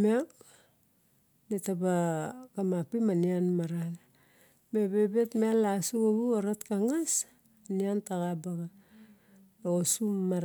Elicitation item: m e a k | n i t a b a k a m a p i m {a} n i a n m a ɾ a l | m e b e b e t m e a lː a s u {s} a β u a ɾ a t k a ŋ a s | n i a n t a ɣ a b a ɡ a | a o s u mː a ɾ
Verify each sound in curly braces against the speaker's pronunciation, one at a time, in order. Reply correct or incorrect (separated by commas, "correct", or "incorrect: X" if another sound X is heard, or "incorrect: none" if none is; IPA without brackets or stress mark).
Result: correct, incorrect: none